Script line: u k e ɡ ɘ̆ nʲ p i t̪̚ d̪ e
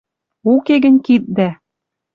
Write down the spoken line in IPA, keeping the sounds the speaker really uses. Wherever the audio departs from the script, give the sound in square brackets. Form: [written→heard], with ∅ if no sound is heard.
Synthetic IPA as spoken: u k e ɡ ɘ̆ nʲ [p→k] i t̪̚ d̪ [e→æ]